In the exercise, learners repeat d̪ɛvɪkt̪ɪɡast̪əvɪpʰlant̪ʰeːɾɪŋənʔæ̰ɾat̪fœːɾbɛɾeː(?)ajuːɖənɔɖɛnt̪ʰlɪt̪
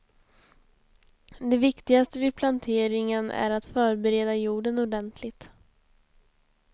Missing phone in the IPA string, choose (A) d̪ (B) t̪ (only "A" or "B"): A